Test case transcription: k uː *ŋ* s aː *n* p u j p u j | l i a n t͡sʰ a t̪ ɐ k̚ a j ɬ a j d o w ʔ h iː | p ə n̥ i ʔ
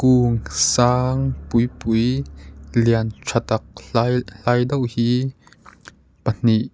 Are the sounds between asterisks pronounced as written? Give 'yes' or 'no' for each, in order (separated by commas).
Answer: yes, no